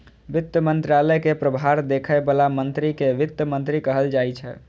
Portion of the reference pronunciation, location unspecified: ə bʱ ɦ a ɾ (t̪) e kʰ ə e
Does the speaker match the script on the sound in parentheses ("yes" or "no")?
no